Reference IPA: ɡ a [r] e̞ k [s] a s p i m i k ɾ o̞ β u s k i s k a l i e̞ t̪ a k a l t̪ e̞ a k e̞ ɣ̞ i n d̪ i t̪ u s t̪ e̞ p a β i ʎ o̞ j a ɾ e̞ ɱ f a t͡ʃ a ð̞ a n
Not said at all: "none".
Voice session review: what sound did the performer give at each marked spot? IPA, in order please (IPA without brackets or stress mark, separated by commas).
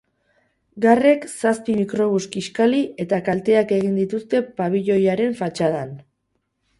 r, s